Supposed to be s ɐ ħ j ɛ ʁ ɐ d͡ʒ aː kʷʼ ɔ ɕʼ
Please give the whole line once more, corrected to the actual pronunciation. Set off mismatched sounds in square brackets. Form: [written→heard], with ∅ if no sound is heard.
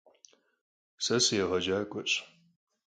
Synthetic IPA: s ɐ [ħ→s] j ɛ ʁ ɐ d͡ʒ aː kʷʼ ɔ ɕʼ